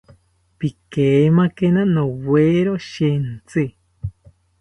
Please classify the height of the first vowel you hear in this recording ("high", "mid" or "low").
high